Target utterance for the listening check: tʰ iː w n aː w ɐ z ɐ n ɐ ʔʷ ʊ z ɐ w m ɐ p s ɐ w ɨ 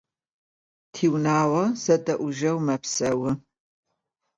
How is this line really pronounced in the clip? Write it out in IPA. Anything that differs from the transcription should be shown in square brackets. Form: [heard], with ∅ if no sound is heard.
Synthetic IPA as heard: tʰ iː w n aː w ɐ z ɐ [d] ɐ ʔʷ ʊ [ʒ] ɐ w m ɐ p s ɐ w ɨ